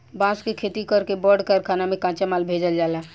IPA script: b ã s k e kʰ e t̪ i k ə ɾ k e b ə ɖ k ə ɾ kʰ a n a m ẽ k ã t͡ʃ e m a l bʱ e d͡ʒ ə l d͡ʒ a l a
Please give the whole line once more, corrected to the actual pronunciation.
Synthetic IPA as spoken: b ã s k e kʰ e t̪ i k ə ɾ k e b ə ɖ k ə ɾ kʰ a n a m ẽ k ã t͡ʃ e m a l bʱ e d͡ʒ ə l d͡ʒ a l a

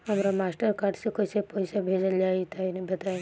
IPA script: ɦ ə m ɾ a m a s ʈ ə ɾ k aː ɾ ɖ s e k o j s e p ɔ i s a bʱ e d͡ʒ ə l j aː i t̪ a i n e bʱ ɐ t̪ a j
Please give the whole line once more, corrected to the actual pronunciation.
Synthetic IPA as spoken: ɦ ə m ɾ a m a s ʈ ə ɾ k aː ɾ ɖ s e k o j s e p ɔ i s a bʱ e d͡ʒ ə l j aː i t̪ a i n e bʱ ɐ t̪ a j

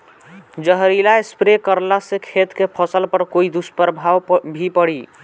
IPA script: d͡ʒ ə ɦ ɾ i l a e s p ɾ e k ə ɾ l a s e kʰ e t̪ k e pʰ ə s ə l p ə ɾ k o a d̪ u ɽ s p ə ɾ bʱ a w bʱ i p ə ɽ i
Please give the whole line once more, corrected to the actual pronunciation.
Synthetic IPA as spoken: d͡ʒ ə ɦ ɾ i l a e s p ɾ e k ə ɾ l a s e kʰ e t̪ k e pʰ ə s ə l p ə ɾ k o i d̪ u s p ə ɾ bʱ a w bʱ i p ə ɽ i

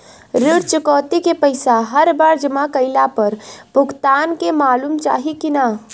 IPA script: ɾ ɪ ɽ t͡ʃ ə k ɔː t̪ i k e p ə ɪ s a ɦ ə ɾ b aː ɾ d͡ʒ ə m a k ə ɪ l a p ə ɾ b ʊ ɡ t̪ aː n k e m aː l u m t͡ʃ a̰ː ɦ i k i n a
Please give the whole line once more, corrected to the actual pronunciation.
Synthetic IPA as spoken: ɾ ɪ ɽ t͡ʃ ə k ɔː t̪ i k e p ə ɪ s a ɦ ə ɾ b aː ɾ d͡ʒ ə m a k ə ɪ l a p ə ɾ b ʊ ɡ t̪ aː n k e m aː l u m t͡ʃ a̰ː ɦ i k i n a

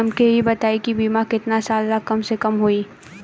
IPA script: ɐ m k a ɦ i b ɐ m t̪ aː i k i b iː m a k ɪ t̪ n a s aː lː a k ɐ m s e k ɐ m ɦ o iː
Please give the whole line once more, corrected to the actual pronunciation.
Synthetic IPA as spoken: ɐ m k e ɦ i b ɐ t̪ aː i k i b iː m a k ɪ t̪ n a s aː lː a k ɐ m s e k ɐ m ɦ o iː

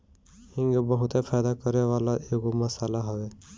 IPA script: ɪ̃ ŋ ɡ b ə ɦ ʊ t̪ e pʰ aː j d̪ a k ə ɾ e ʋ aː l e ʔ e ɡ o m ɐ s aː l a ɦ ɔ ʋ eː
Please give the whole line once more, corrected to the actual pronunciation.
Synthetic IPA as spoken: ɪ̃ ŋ ɡ b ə ɦ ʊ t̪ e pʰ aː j d̪ a k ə ɾ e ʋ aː l a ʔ e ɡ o m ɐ s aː l a ɦ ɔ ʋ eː

